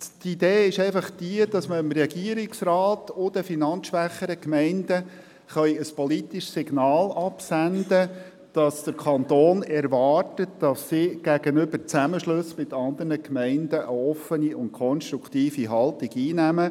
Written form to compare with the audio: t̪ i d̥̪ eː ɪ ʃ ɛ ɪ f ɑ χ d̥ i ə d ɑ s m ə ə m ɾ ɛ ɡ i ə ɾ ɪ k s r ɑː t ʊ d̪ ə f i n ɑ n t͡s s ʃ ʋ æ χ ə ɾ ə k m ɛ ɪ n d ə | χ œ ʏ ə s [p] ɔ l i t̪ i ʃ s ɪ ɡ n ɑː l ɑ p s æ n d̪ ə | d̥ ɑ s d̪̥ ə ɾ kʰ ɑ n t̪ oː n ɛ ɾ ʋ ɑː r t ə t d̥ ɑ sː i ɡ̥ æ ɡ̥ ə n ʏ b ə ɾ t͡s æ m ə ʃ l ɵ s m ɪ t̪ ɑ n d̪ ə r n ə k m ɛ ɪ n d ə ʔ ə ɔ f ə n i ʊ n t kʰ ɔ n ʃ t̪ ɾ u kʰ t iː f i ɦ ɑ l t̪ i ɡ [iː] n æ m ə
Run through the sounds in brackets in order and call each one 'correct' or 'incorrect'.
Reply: correct, correct

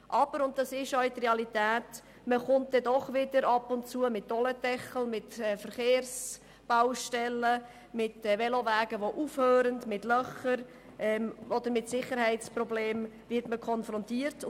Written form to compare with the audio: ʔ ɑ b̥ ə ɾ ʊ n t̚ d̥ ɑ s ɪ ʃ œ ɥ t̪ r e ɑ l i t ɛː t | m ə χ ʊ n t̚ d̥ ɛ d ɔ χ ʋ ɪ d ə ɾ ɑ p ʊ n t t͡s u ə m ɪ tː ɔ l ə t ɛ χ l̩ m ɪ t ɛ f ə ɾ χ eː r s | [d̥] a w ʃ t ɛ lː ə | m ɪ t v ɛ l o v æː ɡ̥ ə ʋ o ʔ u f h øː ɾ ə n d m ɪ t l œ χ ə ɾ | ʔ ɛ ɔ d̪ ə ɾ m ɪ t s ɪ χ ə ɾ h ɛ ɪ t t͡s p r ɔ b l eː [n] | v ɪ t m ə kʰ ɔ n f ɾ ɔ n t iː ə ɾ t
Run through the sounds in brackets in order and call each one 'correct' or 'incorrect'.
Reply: incorrect: b̥, incorrect: m

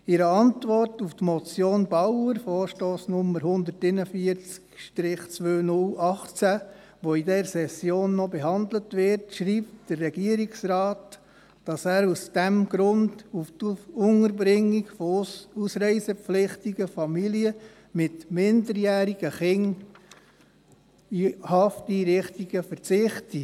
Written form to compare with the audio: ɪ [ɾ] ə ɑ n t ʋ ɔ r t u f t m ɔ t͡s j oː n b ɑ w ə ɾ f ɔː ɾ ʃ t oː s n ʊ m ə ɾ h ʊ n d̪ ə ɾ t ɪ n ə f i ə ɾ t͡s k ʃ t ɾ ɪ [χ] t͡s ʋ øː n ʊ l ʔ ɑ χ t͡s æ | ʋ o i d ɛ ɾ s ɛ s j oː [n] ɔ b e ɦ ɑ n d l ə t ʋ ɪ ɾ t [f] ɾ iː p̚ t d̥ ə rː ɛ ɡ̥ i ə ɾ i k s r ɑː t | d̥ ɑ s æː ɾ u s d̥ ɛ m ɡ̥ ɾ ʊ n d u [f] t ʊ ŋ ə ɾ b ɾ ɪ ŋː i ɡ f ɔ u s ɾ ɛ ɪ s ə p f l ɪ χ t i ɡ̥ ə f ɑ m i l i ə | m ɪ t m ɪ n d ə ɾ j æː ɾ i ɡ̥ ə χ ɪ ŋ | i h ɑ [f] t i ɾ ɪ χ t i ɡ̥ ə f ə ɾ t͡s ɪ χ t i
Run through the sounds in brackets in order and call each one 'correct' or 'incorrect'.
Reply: correct, correct, incorrect: nː, incorrect: ʃ, correct, correct

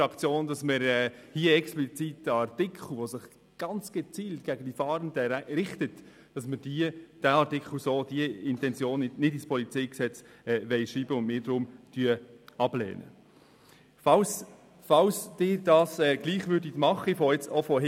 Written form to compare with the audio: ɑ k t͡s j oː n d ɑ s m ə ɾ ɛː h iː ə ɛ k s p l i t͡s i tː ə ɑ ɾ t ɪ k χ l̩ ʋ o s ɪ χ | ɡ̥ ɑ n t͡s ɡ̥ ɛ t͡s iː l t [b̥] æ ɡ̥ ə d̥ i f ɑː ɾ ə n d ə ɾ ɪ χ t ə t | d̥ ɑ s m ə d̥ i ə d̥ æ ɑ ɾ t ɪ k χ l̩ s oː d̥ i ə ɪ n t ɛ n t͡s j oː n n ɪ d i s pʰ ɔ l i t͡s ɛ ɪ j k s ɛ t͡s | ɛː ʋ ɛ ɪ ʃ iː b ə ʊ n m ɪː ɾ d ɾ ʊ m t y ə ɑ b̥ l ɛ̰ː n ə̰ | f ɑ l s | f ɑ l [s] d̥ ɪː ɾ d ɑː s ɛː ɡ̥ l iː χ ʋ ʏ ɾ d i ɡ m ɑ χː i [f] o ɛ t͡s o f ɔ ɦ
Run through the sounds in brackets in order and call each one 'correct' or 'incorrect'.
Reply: incorrect: ɡ̥, correct, correct

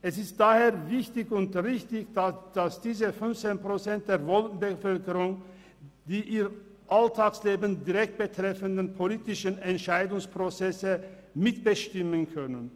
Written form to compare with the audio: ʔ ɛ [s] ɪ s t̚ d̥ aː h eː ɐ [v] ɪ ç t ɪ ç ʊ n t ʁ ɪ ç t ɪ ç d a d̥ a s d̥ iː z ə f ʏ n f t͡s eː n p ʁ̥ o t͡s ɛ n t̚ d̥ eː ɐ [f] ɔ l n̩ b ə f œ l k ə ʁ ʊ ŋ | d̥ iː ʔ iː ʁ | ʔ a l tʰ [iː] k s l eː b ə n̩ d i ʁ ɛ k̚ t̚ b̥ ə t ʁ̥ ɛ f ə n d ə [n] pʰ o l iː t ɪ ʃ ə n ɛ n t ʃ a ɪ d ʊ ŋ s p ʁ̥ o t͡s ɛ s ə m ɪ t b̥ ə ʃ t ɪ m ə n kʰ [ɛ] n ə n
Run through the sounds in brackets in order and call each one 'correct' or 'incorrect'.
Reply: correct, correct, incorrect: v, incorrect: aː, correct, incorrect: œ

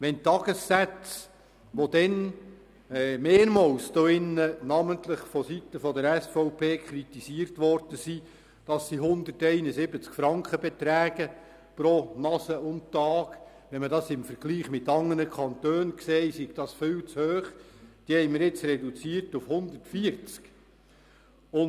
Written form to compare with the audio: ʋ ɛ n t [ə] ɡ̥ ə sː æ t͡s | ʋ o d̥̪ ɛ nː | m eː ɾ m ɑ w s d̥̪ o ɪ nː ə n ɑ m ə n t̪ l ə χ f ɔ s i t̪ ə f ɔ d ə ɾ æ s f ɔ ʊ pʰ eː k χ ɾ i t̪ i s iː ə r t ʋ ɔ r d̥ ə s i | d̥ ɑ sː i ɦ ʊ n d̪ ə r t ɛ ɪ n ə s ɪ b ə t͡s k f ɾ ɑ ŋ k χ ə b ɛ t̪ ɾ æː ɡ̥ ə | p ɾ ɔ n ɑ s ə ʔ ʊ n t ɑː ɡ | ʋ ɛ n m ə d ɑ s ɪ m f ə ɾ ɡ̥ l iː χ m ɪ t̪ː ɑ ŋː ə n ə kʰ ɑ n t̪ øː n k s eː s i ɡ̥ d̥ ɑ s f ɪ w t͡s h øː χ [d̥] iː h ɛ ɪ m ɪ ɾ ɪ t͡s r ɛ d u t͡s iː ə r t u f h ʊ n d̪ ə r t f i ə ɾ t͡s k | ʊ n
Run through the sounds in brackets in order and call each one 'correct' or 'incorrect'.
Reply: incorrect: ɑ, correct

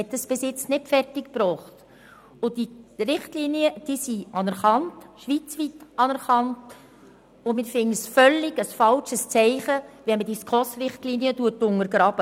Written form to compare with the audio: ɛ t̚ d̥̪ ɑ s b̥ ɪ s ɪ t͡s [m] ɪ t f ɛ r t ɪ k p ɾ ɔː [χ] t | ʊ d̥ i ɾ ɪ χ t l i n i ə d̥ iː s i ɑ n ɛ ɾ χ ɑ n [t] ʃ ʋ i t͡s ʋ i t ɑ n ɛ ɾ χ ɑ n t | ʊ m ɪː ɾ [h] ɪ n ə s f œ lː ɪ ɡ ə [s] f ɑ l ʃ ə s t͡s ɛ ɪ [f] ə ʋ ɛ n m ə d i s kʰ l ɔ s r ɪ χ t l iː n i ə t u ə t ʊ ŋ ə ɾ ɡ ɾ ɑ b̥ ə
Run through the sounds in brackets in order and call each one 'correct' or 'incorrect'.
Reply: incorrect: n, correct, correct, incorrect: f, correct, incorrect: χ

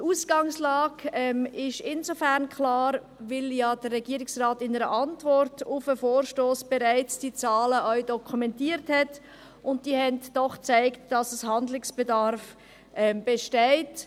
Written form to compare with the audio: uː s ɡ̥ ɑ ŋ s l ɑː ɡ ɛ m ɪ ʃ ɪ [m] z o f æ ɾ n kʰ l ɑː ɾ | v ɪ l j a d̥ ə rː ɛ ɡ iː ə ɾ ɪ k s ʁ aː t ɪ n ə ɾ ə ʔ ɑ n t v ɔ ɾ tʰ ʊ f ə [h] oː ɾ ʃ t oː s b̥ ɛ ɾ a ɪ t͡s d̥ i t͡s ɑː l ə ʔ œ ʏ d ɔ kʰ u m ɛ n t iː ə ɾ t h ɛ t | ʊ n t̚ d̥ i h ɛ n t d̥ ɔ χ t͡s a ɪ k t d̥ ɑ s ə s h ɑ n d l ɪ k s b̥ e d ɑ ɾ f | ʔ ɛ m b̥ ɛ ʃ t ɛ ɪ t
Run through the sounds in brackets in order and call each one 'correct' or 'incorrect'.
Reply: incorrect: n, incorrect: f

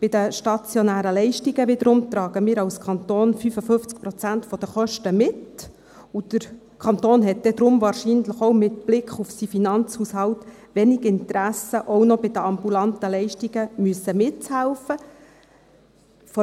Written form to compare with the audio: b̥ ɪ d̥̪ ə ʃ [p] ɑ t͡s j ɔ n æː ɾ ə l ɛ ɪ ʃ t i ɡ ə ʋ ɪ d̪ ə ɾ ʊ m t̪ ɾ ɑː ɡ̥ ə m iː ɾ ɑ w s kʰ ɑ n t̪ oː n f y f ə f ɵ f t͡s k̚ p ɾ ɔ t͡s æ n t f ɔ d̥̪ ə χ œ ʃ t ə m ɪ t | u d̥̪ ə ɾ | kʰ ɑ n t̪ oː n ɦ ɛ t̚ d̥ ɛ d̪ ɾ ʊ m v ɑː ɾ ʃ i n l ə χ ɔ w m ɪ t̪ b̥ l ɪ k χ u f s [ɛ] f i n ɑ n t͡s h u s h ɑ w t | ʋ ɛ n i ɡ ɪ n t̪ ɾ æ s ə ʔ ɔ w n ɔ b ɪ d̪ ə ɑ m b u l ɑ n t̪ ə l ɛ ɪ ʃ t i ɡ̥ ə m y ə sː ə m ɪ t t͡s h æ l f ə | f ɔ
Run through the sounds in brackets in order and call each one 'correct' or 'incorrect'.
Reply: incorrect: t, incorrect: i

